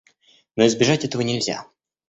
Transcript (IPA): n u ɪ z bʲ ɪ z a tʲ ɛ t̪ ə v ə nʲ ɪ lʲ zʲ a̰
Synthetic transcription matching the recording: n o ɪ z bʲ ɪ ʐ a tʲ ɛ t̪ ə v ə nʲ ɪ lʲ zʲ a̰

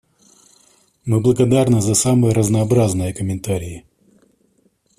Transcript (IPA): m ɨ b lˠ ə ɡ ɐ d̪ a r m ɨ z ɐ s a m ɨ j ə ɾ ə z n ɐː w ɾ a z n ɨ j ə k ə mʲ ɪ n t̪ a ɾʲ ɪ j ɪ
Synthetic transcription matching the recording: m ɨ b lˠ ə ɡ ɐ d̪ a r n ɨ z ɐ s a m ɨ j ə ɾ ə z n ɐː b ɾ a z n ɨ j ə k ə mʲ ɪ n t̪ a ɾʲ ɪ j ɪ

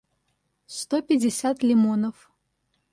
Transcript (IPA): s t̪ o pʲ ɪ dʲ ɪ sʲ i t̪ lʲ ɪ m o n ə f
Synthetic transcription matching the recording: s t̪ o pʲ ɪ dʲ ɪ sʲ a t̪ lʲ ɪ m o n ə f

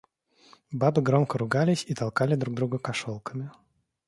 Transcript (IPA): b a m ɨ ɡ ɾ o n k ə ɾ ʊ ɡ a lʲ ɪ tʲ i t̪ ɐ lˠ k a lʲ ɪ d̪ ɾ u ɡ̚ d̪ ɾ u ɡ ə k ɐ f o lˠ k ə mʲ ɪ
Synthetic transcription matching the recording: b a b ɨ ɡ ɾ o m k ə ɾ ʊ ɡ a lʲ ɪ sʲ i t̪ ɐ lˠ k a lʲ ɪ d̪ ɾ u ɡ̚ d̪ ɾ u ɡ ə k ɐ ʂ o lˠ k ə mʲ ɪ

